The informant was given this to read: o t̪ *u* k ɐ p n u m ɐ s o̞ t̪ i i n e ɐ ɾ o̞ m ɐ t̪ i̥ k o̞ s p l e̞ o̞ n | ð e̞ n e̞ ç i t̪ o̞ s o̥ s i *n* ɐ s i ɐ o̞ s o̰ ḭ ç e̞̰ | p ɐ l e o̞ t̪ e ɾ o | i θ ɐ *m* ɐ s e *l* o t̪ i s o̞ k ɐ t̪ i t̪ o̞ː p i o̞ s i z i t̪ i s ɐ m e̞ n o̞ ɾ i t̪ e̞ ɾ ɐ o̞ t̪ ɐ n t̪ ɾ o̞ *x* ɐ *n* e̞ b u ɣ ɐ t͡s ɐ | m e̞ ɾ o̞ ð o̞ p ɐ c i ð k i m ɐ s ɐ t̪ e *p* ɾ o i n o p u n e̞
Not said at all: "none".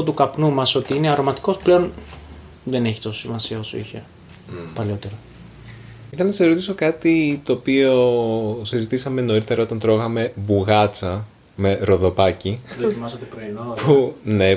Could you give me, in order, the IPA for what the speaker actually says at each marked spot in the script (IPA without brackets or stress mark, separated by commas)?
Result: u, m, n, ɾ, ɣ, m, p